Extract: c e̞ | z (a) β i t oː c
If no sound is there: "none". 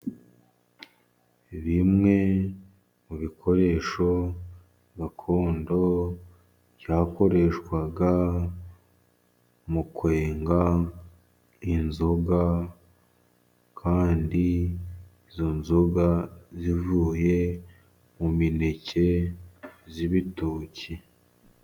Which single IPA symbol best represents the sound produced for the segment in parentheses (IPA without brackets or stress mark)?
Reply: i